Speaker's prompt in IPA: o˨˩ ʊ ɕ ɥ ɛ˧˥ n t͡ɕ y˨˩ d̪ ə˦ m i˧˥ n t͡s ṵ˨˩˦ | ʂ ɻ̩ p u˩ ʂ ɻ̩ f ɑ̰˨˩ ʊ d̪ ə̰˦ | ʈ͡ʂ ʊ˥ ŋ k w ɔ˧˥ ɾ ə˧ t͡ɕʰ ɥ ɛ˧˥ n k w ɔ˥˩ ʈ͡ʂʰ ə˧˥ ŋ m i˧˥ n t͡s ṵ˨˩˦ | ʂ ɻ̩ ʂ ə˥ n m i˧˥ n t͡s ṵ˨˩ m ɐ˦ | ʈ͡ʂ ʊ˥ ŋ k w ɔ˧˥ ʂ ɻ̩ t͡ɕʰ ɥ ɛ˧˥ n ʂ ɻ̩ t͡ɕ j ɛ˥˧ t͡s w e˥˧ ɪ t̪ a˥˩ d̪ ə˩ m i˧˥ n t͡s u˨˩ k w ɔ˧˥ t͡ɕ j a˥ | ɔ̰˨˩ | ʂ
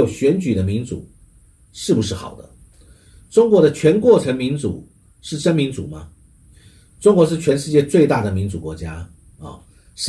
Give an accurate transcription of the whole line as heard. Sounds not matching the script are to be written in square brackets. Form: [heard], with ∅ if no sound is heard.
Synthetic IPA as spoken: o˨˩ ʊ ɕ ɥ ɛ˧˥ n t͡ɕ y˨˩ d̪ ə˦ m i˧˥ n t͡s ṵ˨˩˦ | ʂ ɻ̩ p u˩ ʂ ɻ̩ [x] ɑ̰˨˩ ʊ d̪ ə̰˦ | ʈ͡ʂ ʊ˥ ŋ k w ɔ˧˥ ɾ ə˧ t͡ɕʰ ɥ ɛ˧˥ n k w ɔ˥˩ ʈ͡ʂʰ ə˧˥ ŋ m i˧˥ n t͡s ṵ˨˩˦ | ʂ ɻ̩ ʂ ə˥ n m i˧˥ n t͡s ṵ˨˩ m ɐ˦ | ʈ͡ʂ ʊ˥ ŋ k w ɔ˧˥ ʂ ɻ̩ t͡ɕʰ ɥ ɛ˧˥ n ʂ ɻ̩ t͡ɕ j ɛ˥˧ t͡s w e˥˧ ɪ t̪ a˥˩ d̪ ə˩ m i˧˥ n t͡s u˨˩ k w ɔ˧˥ t͡ɕ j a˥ | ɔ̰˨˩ | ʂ